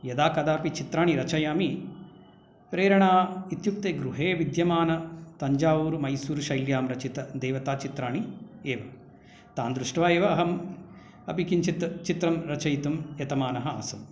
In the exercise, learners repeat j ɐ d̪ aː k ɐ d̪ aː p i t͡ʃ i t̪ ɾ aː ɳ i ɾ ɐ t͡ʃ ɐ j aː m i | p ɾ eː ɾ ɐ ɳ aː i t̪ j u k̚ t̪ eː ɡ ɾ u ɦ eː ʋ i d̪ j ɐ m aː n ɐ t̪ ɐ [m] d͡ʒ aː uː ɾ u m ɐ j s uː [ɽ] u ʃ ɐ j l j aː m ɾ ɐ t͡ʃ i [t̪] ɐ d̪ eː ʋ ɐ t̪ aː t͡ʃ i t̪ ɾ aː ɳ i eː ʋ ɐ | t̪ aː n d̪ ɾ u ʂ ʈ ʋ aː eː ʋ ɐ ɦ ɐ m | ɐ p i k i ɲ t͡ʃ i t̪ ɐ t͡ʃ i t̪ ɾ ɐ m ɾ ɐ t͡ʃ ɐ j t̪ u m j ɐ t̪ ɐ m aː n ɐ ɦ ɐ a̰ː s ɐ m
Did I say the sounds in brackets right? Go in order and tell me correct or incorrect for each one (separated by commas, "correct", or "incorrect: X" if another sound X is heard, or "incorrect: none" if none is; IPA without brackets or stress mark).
incorrect: ɲ, incorrect: ɾ, correct